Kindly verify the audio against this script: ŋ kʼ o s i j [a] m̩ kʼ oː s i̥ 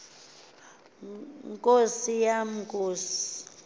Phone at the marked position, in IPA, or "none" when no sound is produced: a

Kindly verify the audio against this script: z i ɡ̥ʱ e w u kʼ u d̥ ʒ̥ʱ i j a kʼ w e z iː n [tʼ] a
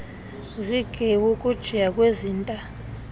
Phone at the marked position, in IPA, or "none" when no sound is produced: tʼ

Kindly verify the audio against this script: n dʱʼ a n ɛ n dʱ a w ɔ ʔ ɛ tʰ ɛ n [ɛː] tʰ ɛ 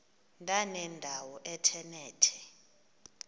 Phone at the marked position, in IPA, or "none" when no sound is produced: ɛː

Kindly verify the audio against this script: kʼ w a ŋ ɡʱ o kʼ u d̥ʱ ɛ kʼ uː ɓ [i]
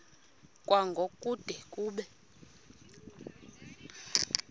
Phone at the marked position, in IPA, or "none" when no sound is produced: ɛ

